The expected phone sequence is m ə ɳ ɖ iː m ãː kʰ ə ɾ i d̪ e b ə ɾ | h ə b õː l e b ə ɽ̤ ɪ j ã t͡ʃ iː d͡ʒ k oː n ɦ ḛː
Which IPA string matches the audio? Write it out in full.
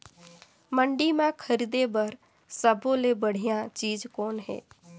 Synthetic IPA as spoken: m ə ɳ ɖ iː m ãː kʰ ə ɾ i d̪ e b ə ɾ | s ə b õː l e b ə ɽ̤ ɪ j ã t͡ʃ iː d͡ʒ k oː n ɦ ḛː